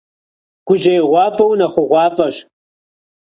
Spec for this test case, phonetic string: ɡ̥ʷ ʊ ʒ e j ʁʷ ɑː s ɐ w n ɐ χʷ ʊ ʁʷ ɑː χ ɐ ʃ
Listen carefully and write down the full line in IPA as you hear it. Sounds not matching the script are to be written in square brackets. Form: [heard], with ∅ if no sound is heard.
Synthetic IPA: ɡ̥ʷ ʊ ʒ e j ʁʷ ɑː [f] ɐ w n ɐ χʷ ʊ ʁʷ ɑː [f] ɐ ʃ